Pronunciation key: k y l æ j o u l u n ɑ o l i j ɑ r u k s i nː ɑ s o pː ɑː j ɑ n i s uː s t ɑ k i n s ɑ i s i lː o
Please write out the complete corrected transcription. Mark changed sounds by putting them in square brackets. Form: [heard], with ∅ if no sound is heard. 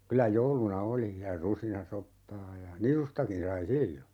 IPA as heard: k y l æ j o u l u n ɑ o l i j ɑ r u [∅] s i [n] ɑ s o pː ɑː j ɑ n i s [u] s t ɑ k i n s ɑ i s i lː o